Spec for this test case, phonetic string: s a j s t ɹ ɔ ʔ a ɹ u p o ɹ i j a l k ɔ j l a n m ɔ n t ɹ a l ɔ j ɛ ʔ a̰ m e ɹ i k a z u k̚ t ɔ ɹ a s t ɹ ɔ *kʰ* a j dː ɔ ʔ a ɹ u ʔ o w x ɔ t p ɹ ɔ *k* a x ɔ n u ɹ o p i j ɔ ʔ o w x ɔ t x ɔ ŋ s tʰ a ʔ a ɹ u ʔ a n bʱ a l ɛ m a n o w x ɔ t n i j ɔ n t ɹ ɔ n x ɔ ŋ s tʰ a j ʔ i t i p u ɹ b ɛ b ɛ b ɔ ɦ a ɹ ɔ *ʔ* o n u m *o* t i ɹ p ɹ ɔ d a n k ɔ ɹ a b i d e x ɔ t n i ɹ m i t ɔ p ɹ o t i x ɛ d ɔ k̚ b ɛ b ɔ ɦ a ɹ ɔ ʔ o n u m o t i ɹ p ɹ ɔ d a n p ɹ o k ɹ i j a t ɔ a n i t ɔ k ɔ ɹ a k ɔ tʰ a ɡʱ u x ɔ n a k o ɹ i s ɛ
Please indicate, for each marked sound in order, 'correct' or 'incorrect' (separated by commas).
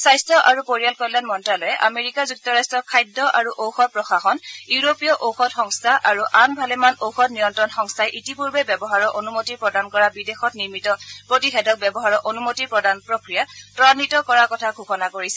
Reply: correct, incorrect, correct, correct